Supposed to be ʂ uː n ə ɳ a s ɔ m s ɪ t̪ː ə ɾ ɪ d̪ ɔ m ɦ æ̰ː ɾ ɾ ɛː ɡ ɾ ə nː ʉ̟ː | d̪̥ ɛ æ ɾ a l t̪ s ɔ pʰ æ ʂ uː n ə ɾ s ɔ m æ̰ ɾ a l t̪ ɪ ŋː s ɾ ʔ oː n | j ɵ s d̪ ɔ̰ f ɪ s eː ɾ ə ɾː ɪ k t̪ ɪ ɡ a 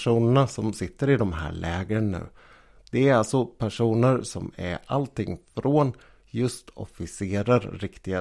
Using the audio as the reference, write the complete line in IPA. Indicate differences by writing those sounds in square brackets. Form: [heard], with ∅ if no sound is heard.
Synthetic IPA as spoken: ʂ uː n ə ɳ a s ɔ m s ɪ t̪ː ə ɾ ɪ d̪ ɔ m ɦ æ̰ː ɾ [ɭ] ɛː ɡ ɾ ə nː ʉ̟ː | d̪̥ ɛ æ ɾ a l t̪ s ɔ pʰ æ ʂ uː n ə ɾ s ɔ m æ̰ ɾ a l t̪ ɪ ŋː [f] ɾ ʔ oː n | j ɵ s [t̪] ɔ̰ f ɪ s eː ɾ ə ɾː ɪ k t̪ ɪ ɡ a